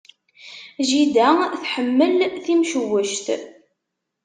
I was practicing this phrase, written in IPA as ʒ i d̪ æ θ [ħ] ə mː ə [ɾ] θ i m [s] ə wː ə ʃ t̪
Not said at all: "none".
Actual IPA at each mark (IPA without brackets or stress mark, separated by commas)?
ħ, l, ʃ